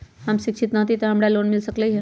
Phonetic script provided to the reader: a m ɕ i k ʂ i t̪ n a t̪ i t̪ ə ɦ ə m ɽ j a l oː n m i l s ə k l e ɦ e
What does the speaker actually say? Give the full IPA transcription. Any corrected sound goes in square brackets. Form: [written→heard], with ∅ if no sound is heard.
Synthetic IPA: a m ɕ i k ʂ i t̪ n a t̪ i t̪ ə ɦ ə m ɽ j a l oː n m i l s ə k l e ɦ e